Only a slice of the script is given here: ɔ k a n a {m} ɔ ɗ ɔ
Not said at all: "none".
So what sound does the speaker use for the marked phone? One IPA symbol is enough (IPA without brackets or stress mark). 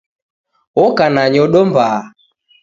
ɲ